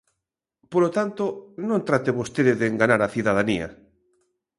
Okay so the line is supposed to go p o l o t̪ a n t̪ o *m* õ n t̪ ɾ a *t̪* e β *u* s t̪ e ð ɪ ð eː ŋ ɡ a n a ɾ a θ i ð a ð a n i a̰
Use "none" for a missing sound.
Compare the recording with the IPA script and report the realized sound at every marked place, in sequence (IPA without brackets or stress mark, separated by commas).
n, t̪, o